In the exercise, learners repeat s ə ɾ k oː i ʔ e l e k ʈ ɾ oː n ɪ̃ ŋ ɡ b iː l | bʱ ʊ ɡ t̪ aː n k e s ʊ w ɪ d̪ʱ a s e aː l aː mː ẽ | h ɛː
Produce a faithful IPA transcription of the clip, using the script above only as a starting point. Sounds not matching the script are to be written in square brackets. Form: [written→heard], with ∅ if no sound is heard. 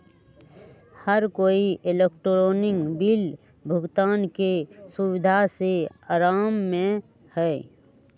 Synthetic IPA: [s→h] ə ɾ k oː i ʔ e l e k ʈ ɾ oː n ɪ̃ ŋ ɡ b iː l | bʱ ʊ ɡ t̪ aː n k e s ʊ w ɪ d̪ʱ a s e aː [l→ɾ] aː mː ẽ | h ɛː